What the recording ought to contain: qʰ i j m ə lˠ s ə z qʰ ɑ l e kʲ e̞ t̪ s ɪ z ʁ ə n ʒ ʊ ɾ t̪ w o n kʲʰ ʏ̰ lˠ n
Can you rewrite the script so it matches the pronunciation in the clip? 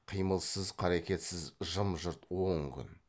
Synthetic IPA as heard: qʰ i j m ə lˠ s ə z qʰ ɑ ɾ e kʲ e̞ t̪ s ɪ z ʒ ə m ʒ ʊ ɾ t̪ w o ŋ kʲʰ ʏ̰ n

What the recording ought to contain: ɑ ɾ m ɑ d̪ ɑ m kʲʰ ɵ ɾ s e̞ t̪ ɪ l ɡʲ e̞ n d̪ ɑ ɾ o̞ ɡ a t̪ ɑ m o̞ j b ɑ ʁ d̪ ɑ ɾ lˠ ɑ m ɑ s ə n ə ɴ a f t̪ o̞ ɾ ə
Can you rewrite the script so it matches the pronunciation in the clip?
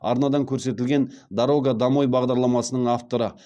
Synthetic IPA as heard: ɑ ɾ n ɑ d̪ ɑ ŋ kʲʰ ɵ ɾ s e̞ t̪ ɪ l ɡʲ e̞ n d̪ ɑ ɾ o̞ ɡ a d̪ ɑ m o̞ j b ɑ ʁ d̪ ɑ ɾ lˠ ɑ m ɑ s ə n ə ɴ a f t̪ o̞ ɾ ə

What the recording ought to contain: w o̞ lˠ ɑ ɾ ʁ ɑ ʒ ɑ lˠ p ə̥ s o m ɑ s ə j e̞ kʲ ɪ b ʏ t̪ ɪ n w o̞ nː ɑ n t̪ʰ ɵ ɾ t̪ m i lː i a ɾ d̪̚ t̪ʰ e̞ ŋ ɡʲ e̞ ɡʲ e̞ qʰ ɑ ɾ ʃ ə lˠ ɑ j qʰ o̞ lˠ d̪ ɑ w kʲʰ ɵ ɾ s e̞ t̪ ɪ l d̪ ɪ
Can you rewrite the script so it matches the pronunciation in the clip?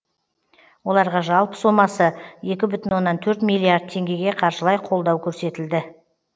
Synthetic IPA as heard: w o̞ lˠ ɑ ɾ ʁ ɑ ʒ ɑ lˠ p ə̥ s o m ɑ s ə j e̞ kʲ ɪ b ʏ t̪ ɪ n w o̞ nː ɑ n t̪ʰ ɵ ɾ t̪ m i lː i a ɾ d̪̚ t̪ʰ e̞ ŋ ɡʲ e̞ ɡʲ e̞ qʰ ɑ ɾ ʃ ə lˠ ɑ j qʰ o̞ lˠ d̪ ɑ w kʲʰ ɵ ɾ s e̞ t̪ ɪ l d̪ ɪ

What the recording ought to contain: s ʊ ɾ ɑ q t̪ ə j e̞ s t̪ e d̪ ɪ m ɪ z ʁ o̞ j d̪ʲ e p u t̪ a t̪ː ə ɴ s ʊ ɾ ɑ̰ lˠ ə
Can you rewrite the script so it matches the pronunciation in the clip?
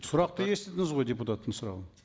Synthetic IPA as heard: s ʊ ɾ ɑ q t̪ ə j e̞ s t̪ e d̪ ɪ ŋ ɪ z ʁ o̞ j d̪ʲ e p u t̪ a t̪ː ə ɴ s ʊ ɾ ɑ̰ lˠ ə

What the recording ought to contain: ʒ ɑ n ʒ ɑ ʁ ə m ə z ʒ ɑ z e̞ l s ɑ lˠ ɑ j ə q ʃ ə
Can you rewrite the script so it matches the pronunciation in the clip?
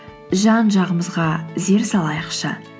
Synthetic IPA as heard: ʒ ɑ n ʒ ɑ ʁ ə m ə z ʁ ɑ z e̞ ɾ s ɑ lˠ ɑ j ə q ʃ ə

